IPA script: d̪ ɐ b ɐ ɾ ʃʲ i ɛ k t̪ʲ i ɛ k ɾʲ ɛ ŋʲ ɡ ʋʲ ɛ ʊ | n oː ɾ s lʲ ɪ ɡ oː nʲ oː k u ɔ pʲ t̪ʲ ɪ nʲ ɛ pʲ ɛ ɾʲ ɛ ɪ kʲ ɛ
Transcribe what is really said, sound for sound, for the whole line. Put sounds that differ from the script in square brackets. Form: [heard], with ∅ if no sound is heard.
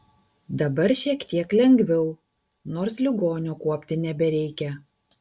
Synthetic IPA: d̪ ɐ b ɐ ɾ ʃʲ i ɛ k t̪ʲ i ɛ k [lʲ] ɛ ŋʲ ɡ ʋʲ ɛ ʊ | n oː ɾ s lʲ ɪ ɡ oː nʲ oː k u ɔ pʲ t̪ʲ ɪ nʲ ɛ [bʲ] ɛ ɾʲ ɛ ɪ kʲ ɛ